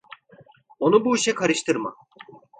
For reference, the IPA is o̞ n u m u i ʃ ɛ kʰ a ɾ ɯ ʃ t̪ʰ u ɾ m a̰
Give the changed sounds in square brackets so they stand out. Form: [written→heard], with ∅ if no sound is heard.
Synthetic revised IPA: o̞ n u [m→b] u i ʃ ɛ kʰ a ɾ ɯ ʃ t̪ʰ [u→ɯ] ɾ m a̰